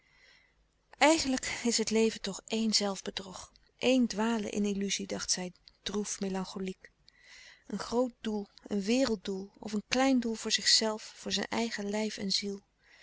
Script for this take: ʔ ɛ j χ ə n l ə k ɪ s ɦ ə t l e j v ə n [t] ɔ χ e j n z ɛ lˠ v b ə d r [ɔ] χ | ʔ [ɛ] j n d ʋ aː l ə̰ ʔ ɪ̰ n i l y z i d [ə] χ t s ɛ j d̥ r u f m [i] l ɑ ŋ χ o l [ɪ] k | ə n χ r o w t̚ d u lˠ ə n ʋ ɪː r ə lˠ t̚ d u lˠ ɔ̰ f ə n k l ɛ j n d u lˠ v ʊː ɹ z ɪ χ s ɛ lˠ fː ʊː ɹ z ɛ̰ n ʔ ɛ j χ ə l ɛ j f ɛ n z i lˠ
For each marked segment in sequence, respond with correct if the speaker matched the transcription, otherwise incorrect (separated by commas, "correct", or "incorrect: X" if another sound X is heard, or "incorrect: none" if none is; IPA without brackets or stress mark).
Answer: correct, correct, incorrect: e, incorrect: ɑ, incorrect: e, incorrect: i